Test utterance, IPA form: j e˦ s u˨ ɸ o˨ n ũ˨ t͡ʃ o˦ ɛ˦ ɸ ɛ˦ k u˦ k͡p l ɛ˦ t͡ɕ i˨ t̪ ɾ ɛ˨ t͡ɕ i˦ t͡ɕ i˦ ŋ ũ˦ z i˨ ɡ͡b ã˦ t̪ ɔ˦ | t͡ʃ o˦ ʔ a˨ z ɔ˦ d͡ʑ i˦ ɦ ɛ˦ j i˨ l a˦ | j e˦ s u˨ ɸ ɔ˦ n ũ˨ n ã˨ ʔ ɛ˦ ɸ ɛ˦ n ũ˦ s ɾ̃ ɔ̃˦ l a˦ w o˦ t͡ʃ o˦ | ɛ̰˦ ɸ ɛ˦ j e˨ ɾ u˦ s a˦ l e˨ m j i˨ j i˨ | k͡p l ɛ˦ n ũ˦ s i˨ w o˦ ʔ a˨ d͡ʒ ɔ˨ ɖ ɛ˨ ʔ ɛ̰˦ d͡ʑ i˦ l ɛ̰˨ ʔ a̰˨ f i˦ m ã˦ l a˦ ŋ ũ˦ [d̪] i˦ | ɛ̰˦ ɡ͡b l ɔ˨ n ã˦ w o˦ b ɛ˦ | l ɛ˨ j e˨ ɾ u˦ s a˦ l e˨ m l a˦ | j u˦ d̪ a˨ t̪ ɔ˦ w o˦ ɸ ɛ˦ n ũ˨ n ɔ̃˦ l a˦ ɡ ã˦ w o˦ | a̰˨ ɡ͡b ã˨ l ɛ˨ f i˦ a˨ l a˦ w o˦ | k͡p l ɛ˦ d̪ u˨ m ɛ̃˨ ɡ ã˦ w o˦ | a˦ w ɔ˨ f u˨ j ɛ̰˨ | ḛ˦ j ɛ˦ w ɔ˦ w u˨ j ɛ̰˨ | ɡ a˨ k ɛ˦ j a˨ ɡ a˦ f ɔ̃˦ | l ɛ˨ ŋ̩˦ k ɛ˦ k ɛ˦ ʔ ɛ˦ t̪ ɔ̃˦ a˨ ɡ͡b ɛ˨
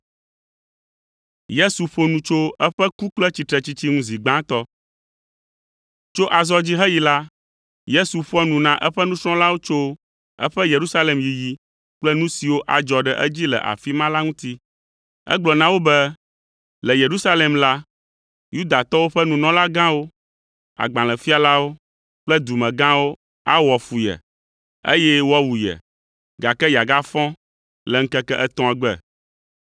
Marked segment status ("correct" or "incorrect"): incorrect